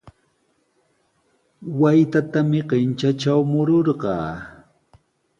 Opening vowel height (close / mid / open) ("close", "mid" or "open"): open